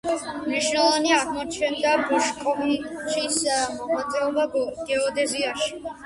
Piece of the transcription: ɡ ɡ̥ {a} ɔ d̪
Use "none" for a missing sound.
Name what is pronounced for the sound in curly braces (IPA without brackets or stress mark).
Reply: ɛ